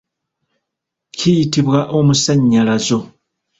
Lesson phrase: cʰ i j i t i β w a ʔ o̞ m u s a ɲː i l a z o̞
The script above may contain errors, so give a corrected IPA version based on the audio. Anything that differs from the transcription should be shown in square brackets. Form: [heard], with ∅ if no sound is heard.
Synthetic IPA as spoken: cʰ i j i t i β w a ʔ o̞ m u s a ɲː [a] l a z o̞